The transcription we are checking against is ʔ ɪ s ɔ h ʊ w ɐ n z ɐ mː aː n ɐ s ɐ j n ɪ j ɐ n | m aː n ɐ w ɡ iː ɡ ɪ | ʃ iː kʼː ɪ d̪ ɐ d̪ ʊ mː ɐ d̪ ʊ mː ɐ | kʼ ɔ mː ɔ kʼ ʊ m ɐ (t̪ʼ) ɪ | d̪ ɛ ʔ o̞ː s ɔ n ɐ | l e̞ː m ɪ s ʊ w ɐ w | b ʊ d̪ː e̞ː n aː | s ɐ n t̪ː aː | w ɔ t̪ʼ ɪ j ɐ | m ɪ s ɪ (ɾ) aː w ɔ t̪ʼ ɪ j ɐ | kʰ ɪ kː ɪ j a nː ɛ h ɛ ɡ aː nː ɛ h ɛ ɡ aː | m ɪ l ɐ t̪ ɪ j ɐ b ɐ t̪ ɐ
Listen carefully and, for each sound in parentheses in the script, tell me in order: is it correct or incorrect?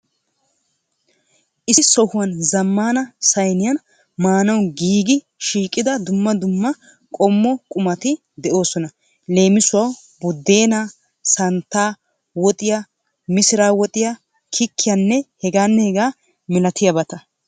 incorrect: t̪, correct

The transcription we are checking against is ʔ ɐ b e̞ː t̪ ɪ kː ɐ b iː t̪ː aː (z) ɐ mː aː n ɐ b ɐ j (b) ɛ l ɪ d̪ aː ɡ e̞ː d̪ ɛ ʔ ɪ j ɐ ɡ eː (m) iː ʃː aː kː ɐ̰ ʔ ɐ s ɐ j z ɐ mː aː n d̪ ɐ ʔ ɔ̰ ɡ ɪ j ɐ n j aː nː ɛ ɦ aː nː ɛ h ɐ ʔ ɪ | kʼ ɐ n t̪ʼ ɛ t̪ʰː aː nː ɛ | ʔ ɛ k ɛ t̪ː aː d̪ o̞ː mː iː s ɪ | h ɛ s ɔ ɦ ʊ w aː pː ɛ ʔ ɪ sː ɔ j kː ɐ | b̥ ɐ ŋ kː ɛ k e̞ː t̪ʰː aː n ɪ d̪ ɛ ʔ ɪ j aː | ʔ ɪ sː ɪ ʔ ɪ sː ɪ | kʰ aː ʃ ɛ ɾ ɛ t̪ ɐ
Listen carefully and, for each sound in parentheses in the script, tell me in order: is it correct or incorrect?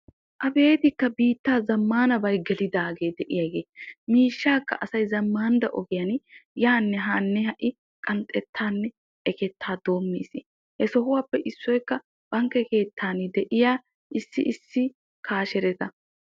correct, incorrect: ɡ, correct

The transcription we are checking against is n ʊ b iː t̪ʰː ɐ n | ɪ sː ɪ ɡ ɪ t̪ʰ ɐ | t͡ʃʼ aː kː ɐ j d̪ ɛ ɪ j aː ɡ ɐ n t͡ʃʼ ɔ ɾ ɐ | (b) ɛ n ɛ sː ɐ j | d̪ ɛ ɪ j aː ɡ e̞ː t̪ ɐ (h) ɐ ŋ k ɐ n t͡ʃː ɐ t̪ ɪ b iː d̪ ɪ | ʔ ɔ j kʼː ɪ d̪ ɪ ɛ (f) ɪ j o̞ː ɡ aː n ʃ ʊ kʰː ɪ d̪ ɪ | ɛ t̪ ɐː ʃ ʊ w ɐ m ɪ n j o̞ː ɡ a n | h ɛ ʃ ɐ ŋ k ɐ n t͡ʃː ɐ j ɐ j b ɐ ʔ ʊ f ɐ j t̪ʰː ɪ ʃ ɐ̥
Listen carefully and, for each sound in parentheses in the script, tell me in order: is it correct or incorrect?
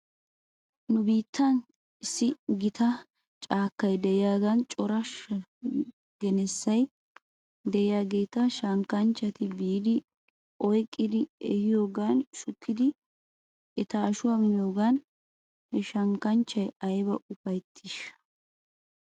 incorrect: ɡ, incorrect: ʃ, incorrect: h

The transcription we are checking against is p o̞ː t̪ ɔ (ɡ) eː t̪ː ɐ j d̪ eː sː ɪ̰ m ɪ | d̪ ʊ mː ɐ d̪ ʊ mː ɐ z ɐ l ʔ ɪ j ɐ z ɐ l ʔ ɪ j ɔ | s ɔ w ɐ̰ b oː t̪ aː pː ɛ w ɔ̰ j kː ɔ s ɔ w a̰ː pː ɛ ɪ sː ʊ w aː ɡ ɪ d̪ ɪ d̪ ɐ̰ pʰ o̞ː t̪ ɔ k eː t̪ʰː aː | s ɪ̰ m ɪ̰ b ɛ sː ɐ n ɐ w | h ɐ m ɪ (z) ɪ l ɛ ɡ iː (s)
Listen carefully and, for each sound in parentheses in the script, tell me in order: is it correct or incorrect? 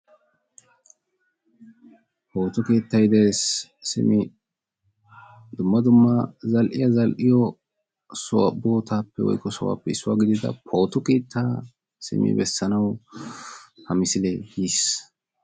incorrect: k, incorrect: s, correct

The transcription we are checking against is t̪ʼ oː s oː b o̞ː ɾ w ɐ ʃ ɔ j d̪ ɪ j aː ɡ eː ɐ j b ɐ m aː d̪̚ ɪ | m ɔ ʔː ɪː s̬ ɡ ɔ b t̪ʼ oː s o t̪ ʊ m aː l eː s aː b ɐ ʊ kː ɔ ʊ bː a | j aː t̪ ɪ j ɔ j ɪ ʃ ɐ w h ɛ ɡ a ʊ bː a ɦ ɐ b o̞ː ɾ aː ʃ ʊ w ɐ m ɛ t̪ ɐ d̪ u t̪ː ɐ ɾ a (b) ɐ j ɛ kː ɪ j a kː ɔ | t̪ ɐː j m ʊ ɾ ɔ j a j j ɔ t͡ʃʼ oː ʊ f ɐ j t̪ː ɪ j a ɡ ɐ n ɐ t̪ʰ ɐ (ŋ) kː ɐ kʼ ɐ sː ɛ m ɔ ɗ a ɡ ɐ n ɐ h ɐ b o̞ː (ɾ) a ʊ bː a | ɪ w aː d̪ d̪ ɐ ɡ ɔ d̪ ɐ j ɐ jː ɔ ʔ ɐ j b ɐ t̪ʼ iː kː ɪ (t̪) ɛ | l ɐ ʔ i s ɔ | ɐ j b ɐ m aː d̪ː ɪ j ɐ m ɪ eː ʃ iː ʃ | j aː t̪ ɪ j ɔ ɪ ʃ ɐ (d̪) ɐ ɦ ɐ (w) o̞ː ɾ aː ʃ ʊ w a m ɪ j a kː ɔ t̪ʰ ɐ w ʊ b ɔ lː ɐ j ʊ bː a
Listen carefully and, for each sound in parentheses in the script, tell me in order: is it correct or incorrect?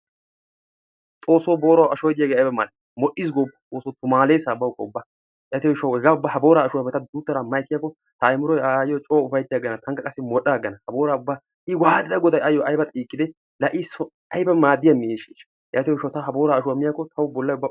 incorrect: m, correct, correct, incorrect: d̪, incorrect: t̪, incorrect: b

